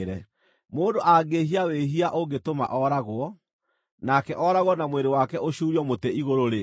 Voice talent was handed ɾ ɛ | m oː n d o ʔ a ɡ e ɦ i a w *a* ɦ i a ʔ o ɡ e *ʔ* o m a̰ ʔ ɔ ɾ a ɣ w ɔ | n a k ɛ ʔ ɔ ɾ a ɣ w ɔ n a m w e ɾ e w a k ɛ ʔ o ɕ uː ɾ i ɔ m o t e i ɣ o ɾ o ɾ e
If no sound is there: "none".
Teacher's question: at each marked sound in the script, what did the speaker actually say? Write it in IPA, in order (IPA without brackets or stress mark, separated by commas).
e, t